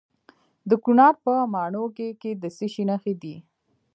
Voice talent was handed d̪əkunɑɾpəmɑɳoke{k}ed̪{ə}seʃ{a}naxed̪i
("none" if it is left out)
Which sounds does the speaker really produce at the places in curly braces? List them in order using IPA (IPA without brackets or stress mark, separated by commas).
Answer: k, ə, i